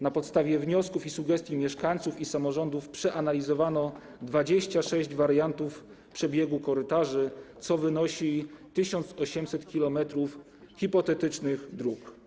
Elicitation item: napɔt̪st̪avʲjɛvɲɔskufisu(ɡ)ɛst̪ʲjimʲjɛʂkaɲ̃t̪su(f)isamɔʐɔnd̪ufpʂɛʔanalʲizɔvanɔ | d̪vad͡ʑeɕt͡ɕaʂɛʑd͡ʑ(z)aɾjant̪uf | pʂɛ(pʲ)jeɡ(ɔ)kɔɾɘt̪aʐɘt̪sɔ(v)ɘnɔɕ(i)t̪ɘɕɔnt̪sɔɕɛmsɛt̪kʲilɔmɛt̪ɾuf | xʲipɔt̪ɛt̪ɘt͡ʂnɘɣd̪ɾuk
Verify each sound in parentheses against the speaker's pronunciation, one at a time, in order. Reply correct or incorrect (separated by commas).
correct, correct, incorrect, incorrect, incorrect, correct, correct